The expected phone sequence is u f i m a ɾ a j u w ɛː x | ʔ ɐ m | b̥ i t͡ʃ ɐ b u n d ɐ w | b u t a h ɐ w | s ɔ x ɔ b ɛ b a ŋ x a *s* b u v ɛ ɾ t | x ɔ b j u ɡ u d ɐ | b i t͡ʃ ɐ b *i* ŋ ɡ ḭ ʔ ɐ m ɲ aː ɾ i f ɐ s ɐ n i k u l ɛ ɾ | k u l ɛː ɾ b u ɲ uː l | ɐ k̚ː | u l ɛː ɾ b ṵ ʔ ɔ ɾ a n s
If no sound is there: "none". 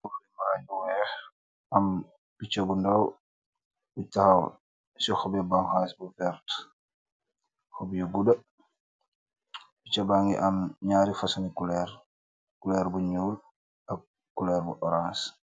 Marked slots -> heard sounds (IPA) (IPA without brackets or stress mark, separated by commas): s, a